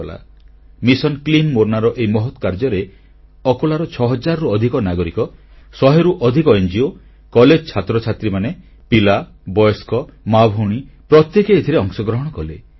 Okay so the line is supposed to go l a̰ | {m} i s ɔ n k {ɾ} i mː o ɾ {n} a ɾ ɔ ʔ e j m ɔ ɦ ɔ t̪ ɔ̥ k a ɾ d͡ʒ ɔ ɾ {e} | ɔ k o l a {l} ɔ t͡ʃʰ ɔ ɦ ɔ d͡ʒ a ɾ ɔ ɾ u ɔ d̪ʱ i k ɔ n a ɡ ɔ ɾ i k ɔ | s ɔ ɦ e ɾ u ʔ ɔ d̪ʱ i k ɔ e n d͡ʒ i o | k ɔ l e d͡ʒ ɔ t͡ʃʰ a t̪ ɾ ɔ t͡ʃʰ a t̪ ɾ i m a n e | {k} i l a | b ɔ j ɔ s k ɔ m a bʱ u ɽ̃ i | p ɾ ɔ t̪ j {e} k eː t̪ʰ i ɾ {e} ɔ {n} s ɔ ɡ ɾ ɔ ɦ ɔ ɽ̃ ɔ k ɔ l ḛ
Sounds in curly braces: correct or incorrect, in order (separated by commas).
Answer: correct, incorrect, correct, correct, incorrect, incorrect, correct, correct, incorrect